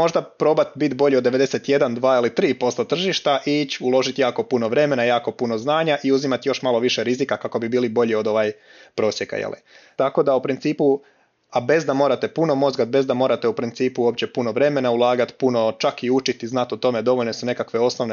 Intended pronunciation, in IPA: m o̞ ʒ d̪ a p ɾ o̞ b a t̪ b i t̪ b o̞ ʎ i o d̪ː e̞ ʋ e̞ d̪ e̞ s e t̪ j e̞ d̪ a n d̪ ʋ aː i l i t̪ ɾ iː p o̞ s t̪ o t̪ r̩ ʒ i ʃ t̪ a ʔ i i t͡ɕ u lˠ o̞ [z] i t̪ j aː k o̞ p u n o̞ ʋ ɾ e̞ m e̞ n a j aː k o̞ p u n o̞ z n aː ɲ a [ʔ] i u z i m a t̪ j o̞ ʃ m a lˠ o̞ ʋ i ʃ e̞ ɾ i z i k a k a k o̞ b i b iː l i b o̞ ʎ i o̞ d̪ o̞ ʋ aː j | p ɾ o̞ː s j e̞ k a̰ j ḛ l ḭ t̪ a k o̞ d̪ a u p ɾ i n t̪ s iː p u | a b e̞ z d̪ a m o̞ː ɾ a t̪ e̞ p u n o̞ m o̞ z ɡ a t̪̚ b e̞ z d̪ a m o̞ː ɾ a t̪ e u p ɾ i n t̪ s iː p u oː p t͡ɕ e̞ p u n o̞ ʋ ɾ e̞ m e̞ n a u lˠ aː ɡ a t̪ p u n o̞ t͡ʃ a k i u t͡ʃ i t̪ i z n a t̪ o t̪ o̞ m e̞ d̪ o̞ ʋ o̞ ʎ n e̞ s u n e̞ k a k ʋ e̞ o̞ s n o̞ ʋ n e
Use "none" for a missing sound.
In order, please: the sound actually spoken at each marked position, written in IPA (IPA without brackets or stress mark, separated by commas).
ʒ, ʔ